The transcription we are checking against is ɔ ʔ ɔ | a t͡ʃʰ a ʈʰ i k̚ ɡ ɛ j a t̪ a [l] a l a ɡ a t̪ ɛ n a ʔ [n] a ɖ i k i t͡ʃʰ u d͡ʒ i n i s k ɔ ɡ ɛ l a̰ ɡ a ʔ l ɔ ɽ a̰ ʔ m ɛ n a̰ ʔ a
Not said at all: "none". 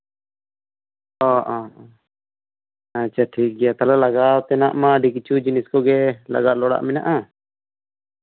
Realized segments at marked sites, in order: l, m

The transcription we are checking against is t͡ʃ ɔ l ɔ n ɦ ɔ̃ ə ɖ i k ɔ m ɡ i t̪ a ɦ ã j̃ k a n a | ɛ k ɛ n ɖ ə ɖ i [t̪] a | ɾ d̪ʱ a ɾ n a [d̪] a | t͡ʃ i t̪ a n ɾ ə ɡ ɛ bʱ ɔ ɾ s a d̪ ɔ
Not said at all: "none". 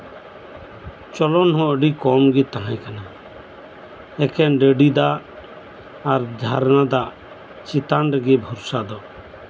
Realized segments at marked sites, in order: d̪, d̪

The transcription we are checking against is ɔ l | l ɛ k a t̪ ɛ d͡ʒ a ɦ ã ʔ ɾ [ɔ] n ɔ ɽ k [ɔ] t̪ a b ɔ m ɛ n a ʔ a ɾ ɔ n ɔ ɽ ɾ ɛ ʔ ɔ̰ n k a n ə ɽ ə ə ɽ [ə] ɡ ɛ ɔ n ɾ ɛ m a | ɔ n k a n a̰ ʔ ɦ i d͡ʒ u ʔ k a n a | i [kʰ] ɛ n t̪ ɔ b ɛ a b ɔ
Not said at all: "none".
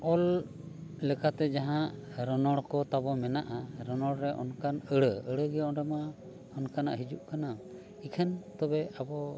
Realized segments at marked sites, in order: ɔ, ɔ, ə, kʰ

